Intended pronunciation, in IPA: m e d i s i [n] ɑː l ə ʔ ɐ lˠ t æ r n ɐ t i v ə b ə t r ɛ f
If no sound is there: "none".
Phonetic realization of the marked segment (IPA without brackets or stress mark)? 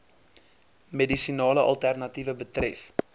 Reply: n